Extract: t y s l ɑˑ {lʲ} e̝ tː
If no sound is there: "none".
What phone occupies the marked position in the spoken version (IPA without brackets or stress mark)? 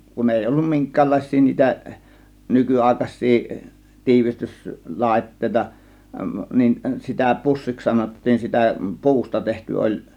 none